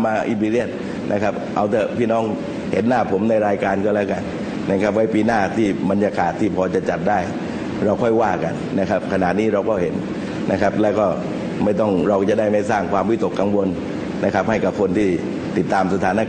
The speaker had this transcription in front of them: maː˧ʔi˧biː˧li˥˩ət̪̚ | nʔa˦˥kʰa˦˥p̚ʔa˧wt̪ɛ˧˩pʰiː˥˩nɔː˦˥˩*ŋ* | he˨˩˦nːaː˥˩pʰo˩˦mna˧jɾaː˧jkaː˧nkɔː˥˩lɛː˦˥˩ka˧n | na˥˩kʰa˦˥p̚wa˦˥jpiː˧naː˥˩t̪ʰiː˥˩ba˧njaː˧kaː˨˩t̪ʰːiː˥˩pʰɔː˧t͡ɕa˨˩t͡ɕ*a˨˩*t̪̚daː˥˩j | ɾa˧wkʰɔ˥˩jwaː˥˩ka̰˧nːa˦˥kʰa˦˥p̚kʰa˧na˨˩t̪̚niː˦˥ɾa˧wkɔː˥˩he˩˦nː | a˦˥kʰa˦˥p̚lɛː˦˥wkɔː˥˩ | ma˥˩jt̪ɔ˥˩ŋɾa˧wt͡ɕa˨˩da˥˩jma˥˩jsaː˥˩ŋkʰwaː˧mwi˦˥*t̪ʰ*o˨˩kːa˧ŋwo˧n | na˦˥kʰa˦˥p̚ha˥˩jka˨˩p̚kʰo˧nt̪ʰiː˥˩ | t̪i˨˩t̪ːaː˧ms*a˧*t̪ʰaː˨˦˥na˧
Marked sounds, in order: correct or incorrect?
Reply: correct, correct, incorrect, correct

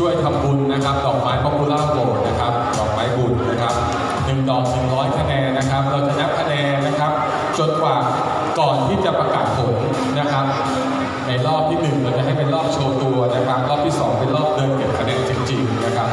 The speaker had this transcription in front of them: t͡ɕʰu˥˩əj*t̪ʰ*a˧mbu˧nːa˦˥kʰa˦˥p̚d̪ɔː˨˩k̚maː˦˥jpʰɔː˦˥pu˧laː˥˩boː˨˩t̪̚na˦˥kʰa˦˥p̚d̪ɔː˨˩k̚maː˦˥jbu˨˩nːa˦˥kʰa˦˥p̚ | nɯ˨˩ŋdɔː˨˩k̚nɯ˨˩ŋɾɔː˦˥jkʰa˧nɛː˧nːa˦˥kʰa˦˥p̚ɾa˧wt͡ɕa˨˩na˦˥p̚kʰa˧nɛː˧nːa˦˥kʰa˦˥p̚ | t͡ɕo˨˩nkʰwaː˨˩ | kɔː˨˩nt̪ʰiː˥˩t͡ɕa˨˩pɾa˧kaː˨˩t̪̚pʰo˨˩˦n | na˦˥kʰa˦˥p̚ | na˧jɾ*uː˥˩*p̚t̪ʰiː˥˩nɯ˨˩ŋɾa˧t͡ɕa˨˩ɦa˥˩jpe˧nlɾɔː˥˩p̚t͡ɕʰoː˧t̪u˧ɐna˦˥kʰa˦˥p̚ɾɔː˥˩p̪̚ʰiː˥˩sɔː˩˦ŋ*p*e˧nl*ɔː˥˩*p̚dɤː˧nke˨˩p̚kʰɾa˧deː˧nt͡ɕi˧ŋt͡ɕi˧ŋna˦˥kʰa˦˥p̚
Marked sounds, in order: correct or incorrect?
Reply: correct, incorrect, correct, correct

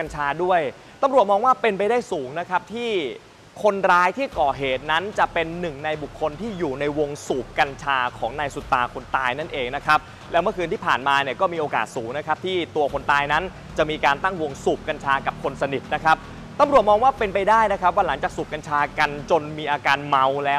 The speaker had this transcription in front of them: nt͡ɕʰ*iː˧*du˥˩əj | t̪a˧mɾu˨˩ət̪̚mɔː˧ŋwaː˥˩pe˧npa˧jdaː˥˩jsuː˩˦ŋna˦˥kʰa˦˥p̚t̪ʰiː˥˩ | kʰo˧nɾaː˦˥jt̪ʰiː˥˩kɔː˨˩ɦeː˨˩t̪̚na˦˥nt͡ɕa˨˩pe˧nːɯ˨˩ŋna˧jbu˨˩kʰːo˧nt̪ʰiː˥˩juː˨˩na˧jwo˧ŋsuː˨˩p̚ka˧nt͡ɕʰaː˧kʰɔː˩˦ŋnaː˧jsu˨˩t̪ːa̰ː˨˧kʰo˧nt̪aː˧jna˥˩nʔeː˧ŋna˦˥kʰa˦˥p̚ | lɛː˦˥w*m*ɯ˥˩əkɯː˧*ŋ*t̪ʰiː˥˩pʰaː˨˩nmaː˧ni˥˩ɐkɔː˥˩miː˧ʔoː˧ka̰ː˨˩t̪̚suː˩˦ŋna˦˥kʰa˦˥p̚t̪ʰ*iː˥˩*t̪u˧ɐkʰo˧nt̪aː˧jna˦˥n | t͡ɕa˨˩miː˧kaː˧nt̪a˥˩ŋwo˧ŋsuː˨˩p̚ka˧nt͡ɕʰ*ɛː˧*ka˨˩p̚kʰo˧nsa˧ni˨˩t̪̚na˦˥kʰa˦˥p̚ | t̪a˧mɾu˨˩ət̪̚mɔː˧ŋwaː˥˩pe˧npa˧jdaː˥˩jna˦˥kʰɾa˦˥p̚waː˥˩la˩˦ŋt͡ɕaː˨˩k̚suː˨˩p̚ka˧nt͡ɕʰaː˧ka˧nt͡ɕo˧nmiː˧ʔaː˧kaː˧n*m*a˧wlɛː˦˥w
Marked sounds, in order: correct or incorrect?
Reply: incorrect, correct, incorrect, correct, incorrect, correct

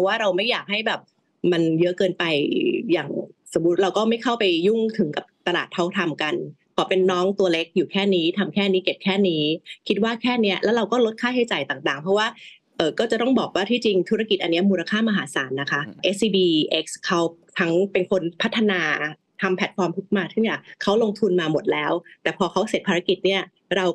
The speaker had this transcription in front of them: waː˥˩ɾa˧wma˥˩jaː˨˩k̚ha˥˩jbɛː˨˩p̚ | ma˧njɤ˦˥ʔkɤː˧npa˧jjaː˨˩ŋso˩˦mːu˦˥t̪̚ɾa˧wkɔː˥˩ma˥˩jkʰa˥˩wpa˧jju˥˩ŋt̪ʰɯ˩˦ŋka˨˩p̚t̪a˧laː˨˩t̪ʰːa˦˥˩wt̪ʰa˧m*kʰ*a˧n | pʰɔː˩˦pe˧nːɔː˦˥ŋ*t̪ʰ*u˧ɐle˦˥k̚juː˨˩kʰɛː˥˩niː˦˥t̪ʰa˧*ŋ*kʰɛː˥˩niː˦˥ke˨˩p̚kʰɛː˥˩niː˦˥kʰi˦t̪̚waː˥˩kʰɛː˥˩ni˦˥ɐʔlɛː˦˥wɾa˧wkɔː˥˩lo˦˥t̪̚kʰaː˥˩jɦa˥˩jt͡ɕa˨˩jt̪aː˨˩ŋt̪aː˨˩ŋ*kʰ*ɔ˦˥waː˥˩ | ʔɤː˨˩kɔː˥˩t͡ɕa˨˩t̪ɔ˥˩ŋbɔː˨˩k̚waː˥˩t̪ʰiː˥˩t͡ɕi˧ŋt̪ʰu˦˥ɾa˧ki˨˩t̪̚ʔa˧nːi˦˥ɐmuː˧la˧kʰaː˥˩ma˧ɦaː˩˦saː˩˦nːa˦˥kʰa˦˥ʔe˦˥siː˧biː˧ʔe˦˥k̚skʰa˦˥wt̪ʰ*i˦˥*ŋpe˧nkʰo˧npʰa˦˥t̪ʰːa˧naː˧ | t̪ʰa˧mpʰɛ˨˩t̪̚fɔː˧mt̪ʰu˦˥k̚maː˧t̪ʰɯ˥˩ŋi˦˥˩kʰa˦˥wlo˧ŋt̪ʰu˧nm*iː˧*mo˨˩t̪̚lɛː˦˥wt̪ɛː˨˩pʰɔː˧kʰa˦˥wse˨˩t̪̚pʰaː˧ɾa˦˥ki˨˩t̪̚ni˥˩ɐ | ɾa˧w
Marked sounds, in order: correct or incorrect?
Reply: incorrect, incorrect, incorrect, incorrect, incorrect, incorrect

